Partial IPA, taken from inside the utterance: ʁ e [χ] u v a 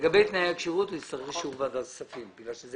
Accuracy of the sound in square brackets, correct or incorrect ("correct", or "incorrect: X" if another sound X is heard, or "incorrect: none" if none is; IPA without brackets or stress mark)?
incorrect: ʃ